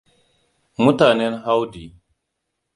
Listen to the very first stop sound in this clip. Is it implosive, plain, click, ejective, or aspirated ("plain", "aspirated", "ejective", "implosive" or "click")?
plain